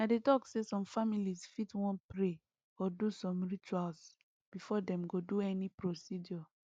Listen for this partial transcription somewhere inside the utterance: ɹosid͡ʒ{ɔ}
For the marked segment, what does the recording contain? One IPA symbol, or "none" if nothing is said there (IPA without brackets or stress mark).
ɔ